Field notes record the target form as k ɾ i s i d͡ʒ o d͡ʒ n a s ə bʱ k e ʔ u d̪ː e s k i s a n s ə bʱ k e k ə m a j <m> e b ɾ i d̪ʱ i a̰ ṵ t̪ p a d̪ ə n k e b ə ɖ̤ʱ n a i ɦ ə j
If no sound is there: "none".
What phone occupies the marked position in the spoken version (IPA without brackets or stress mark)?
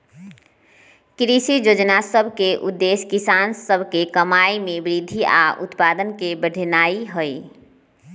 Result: m